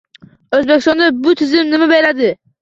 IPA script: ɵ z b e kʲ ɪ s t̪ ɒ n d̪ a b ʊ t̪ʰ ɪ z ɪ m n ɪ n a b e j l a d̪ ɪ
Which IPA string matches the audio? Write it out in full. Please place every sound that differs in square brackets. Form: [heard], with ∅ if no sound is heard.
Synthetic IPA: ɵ z b e kʲ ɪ s t̪ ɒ n d̪ a b ʊ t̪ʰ ɪ z ɪ m n ɪ [m] a b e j l a d̪ ɪ